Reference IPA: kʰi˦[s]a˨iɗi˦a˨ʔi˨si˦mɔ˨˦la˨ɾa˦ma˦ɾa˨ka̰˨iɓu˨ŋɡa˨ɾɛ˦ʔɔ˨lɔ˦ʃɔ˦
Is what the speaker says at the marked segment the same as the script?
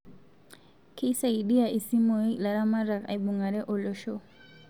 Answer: yes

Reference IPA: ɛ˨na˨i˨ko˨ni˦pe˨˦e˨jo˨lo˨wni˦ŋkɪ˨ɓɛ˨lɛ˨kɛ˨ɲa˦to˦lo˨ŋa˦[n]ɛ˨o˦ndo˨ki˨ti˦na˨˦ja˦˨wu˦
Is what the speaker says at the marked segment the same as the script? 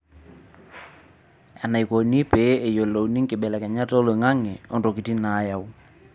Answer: no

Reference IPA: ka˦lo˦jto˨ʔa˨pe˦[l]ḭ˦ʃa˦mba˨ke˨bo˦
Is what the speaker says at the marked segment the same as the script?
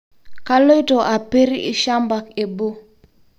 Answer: no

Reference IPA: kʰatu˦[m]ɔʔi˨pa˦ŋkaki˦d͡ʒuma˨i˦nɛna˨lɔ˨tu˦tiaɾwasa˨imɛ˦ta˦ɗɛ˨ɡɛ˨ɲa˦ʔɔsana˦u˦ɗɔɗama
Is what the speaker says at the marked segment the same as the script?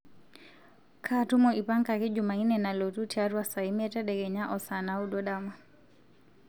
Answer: yes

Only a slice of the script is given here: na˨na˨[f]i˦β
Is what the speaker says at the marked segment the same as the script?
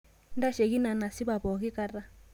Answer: no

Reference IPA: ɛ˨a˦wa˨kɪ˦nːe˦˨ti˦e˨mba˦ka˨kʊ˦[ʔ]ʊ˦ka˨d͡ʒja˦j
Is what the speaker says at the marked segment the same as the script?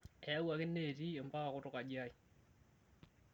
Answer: no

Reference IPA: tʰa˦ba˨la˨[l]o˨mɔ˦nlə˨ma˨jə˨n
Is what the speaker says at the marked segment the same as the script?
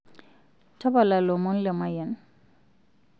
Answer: yes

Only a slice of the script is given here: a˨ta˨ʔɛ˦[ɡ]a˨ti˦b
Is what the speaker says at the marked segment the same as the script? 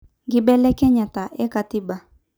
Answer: no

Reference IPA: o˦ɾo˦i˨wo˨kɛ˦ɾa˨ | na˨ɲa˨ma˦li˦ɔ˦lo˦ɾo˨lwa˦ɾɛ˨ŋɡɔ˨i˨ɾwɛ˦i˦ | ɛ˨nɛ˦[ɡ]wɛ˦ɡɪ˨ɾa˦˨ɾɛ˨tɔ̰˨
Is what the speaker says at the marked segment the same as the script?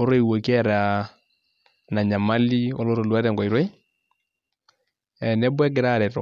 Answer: no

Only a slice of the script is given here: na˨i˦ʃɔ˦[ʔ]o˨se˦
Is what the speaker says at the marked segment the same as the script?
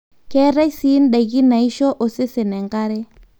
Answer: yes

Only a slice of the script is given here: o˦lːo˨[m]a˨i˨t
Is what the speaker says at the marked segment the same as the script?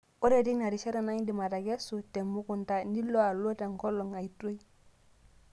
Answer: no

